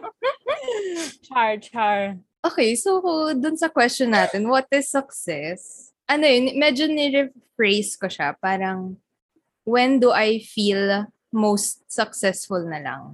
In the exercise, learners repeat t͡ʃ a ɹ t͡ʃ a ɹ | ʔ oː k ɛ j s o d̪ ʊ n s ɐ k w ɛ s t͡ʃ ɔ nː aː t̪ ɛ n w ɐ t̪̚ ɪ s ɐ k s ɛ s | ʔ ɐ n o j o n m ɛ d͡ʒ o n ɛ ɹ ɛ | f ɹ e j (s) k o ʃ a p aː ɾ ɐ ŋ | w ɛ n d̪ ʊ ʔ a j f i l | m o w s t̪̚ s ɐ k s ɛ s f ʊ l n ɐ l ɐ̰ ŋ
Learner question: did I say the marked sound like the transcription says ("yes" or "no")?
yes